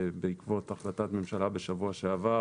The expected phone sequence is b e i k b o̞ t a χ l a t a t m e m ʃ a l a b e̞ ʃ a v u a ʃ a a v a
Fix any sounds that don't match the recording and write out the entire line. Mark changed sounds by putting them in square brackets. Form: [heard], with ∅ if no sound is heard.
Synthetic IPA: b e i k [v] o̞ t a χ l a t a t m e m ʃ a l a b e̞ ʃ a v u a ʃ [e] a v a